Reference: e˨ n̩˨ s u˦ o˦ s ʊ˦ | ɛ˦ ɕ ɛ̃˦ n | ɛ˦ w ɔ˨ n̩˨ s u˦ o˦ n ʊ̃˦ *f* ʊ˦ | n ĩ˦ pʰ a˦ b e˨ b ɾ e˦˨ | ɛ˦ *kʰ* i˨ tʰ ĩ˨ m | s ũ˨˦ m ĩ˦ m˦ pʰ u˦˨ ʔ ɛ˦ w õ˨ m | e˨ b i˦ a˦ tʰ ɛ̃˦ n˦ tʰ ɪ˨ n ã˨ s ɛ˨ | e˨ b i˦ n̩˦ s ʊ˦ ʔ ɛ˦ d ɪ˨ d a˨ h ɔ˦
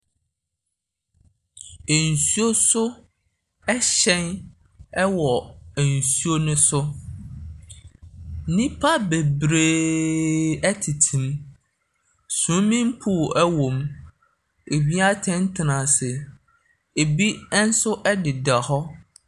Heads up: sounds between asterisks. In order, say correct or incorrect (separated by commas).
incorrect, incorrect